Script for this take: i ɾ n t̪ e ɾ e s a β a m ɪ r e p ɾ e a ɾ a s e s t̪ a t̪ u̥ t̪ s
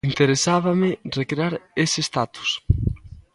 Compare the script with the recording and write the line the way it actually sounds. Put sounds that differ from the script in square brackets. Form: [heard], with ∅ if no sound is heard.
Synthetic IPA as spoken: i [∅] n t̪ e ɾ e s a β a m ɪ r e [k] ɾ e a ɾ [e] s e s t̪ a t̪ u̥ [∅] s